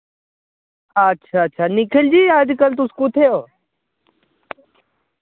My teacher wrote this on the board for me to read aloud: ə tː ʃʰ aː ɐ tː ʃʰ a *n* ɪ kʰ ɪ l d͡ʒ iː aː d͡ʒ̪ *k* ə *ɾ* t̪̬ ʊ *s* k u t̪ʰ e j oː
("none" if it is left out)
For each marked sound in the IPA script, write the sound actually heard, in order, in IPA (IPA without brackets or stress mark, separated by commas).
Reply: n, k, l, s